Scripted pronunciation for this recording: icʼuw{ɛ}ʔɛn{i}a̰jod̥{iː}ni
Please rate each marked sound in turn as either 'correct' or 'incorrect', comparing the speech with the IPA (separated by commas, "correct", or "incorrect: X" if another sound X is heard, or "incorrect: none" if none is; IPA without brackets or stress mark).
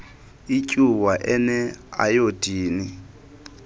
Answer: incorrect: a, incorrect: ɛ, correct